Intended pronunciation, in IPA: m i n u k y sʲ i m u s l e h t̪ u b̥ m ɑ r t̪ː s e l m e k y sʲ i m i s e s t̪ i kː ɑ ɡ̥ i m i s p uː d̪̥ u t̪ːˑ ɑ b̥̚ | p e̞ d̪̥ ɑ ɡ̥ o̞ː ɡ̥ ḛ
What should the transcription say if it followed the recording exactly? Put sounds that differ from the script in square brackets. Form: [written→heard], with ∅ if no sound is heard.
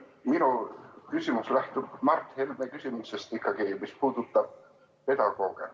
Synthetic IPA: m i n u k y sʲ i m u s l [e→æ] h t̪ u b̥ m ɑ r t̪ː [s→h] e l m e k y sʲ i m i s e s t̪ i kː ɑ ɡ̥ i m i s p uː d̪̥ u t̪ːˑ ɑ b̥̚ | p e̞ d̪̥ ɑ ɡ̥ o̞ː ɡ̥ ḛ